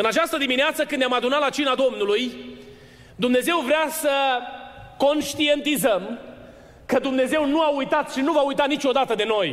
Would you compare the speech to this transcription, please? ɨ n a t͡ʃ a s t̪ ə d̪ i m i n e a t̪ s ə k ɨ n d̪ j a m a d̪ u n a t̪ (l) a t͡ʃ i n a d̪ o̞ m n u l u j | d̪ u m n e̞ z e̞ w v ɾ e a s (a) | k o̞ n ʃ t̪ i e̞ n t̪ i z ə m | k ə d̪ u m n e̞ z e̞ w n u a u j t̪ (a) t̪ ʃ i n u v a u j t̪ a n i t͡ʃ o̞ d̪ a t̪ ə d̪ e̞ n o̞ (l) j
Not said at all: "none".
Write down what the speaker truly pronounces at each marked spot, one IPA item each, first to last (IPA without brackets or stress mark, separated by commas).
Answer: l, ə, a, none